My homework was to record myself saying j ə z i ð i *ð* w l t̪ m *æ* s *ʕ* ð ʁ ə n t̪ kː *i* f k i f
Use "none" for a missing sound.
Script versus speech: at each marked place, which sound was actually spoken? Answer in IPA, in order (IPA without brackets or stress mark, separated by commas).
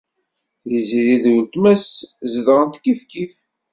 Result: ð, æ, z, i